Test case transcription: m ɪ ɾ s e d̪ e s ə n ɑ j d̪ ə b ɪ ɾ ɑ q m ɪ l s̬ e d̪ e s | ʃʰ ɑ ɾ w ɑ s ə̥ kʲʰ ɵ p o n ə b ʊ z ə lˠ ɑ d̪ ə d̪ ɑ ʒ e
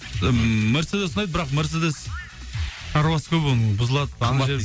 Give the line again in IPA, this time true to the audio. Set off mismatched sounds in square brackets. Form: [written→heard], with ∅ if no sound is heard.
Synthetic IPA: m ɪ ɾ s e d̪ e s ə n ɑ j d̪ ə b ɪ ɾ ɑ q m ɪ [l→ɾ] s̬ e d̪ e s | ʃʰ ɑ ɾ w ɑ s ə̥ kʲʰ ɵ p o n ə b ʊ z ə lˠ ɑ d̪ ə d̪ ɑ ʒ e